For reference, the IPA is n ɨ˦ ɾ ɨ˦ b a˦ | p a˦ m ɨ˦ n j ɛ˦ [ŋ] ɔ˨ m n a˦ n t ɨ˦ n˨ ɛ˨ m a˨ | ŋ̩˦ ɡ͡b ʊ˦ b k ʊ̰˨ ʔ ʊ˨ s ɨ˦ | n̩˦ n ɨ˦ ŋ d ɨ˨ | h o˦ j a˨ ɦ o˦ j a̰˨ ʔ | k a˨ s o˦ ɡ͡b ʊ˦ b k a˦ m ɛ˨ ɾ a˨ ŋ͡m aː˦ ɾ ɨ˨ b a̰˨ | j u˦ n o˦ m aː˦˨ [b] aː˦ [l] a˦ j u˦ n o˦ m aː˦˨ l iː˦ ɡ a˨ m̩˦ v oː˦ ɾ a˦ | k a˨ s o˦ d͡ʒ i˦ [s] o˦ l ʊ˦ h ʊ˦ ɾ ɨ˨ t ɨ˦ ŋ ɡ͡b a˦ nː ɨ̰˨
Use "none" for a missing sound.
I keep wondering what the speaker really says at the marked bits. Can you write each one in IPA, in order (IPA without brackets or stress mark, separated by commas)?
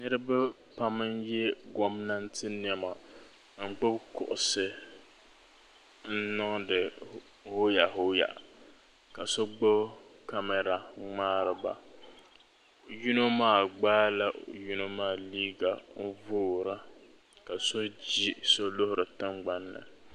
ɡ, ɡ͡b, l, s